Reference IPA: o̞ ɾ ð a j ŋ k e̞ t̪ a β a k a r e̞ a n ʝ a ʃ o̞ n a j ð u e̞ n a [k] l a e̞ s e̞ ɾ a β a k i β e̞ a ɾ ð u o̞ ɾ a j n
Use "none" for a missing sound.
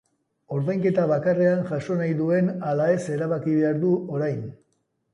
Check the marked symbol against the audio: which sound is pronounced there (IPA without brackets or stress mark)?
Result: none